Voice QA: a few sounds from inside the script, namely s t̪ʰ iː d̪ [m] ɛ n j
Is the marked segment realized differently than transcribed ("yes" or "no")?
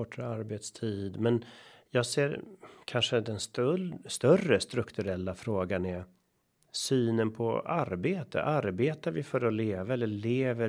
no